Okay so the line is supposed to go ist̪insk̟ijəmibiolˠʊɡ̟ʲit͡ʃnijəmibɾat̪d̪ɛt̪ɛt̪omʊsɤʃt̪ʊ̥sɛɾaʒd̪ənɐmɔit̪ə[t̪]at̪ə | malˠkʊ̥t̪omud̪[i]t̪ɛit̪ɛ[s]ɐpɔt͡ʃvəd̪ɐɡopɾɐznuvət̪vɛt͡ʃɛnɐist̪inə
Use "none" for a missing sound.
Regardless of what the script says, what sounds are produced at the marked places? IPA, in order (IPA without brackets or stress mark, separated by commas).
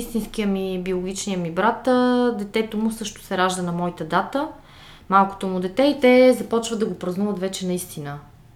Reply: d̪, ɛ, z